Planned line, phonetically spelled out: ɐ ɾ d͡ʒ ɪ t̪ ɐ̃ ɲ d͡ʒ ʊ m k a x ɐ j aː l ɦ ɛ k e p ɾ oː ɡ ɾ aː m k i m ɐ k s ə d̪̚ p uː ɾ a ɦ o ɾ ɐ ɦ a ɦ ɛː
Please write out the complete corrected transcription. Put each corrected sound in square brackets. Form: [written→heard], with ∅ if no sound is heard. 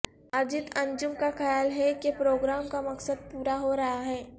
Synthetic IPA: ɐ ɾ d͡ʒ ɪ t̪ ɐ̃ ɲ d͡ʒ ʊ m k a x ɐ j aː l ɦ ɛ k e p ɾ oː ɡ ɾ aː m k [i→a] m ɐ k s ə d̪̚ p uː ɾ a ɦ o ɾ ɐ ɦ a ɦ ɛː